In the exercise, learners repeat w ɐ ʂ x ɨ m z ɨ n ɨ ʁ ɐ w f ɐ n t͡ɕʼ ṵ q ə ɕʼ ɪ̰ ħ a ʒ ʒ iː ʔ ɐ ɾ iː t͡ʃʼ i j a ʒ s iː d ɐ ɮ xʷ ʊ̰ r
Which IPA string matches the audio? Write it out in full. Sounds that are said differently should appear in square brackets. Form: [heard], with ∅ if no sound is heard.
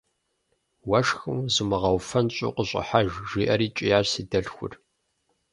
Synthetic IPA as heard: w ɐ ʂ x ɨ m z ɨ [m] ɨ ʁ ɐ w f ɐ n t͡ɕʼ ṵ q ə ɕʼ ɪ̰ ħ a ʒ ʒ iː ʔ ɐ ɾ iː t͡ʃʼ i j a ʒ s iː d ɐ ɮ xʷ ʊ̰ r